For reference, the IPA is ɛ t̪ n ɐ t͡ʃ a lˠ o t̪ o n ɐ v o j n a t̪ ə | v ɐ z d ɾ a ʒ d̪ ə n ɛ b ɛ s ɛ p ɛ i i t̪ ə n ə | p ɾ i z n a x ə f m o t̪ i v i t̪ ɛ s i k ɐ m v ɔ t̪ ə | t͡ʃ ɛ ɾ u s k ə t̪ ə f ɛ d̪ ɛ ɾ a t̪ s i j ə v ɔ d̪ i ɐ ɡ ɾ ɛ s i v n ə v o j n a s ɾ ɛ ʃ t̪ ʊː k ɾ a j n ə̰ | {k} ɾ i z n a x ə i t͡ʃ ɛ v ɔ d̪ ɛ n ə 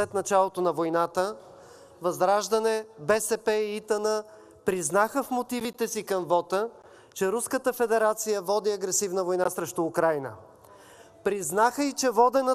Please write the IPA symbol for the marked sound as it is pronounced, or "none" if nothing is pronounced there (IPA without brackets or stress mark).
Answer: p